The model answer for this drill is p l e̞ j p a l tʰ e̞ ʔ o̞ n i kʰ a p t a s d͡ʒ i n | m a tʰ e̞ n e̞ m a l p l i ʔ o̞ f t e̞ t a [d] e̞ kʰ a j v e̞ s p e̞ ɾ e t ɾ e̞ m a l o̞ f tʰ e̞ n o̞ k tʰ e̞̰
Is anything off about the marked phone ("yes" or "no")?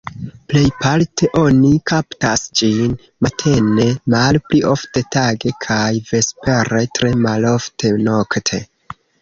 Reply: yes